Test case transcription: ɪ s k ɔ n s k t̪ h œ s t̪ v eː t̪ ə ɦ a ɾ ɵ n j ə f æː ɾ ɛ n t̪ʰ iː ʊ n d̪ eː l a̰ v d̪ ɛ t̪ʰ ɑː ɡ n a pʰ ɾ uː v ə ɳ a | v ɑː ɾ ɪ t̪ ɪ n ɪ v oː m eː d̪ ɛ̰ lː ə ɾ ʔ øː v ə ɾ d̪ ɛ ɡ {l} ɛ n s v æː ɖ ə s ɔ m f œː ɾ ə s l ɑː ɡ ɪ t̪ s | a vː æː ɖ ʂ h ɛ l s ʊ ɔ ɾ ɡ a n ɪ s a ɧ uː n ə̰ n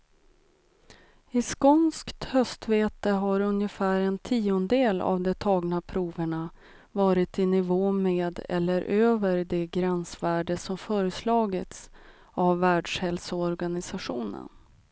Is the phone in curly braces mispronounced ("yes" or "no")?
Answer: yes